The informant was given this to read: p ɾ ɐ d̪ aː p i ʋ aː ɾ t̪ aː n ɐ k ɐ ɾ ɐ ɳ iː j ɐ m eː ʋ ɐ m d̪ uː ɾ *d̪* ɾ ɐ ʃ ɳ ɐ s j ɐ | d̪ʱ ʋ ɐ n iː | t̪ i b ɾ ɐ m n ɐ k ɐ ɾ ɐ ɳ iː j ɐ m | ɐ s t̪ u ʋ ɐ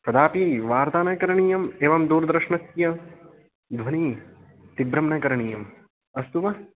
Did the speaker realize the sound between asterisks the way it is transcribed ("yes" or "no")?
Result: yes